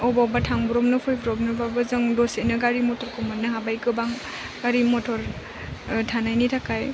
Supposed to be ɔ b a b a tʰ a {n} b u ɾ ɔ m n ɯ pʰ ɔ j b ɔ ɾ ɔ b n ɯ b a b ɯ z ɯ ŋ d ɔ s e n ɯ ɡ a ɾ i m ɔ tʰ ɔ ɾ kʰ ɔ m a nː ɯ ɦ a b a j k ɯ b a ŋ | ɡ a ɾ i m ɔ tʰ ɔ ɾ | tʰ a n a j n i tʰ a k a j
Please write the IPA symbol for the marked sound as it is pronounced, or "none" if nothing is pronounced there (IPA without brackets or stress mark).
ŋ